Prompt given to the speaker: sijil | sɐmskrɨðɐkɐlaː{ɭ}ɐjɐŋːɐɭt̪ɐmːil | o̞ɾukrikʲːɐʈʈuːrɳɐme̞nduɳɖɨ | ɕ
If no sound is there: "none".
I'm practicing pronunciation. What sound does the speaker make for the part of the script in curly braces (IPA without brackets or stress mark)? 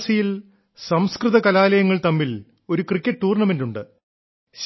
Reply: l